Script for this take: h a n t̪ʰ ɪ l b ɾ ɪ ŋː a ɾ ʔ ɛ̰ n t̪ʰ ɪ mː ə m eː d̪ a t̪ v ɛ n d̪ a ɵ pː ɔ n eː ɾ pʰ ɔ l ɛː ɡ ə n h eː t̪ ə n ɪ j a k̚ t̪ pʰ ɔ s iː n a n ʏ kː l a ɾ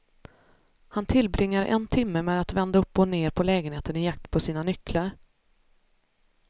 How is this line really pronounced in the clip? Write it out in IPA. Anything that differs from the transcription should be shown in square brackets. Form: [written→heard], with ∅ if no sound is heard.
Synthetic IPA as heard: h a n t̪ʰ ɪ l b ɾ ɪ ŋː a ɾ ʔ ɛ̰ n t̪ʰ ɪ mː ə m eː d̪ a t̪ v ɛ n d̪ a ɵ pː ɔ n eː ɾ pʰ ɔ l ɛː ɡ ə n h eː t̪ ə n ɪ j a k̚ t̪ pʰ ɔ s iː n a n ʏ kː l a ɾ